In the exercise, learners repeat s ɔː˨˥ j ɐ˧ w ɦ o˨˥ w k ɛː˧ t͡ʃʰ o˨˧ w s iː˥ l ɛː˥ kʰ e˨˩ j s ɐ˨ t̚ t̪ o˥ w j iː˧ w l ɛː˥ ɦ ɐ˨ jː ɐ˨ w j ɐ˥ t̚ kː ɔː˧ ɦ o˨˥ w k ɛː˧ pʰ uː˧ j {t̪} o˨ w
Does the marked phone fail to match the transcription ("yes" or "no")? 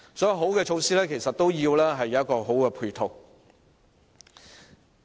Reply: yes